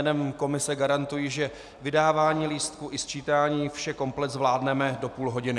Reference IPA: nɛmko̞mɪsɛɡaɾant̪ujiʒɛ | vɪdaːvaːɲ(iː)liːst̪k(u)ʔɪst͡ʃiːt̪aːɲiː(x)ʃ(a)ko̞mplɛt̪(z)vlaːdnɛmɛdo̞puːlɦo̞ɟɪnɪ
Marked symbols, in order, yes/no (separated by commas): yes, yes, no, no, yes